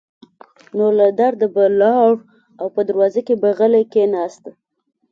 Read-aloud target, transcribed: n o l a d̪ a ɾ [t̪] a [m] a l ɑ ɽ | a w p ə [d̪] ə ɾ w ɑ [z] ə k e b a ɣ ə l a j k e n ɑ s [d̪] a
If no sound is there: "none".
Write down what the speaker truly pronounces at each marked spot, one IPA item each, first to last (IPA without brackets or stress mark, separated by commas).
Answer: d̪, b, d̪, z, t̪